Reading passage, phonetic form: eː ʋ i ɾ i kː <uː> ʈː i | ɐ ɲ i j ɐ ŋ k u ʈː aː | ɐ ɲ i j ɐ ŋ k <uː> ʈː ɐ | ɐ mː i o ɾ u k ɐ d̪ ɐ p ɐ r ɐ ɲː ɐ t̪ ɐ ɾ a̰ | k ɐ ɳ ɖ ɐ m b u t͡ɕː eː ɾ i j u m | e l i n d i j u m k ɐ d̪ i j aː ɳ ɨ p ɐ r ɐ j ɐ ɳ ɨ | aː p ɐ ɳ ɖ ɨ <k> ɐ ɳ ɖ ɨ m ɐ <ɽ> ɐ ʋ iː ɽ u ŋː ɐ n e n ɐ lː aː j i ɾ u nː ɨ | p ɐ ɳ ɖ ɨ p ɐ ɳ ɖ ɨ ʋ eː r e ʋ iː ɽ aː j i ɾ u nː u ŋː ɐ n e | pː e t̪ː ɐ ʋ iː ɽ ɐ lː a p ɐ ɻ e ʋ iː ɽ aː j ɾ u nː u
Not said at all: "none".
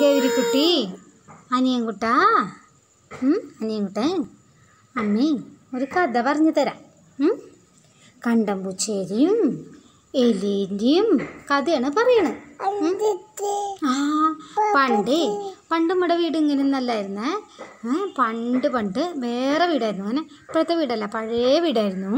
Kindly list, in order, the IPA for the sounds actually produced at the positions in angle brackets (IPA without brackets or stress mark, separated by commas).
u, u, p, ɽ